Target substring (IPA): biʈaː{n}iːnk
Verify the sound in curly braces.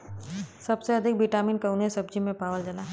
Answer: incorrect: m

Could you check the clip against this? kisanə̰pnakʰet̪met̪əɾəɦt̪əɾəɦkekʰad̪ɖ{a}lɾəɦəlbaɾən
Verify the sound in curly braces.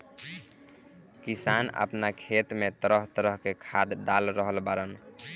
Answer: correct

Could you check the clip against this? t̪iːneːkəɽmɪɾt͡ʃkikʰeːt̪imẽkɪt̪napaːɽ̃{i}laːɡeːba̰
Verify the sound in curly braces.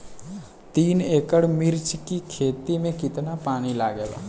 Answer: correct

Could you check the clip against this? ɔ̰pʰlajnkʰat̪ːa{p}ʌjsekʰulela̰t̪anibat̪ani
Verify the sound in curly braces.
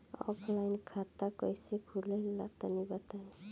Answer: incorrect: k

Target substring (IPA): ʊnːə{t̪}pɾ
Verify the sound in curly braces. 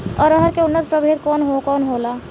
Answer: correct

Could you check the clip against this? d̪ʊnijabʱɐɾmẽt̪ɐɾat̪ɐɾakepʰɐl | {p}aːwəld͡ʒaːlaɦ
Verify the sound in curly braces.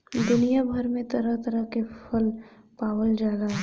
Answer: correct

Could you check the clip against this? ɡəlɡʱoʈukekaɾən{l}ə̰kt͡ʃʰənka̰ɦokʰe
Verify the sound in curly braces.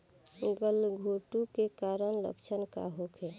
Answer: correct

